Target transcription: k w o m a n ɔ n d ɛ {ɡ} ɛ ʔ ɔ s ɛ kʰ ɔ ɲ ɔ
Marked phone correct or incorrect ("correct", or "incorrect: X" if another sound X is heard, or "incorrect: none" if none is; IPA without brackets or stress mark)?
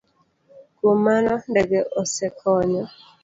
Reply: correct